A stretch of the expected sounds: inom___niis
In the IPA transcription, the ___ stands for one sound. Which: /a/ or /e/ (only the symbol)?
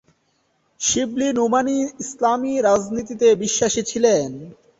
a